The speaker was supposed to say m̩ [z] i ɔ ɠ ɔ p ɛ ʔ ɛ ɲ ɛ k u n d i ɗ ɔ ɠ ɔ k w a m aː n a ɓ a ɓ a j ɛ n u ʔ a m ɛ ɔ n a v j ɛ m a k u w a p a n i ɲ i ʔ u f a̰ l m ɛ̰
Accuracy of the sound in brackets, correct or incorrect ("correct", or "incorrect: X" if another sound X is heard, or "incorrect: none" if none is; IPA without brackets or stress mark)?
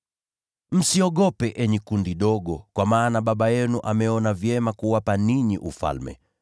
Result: incorrect: s